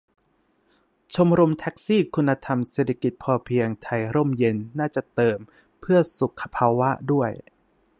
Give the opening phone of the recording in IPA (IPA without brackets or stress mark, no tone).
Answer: t͡ɕʰ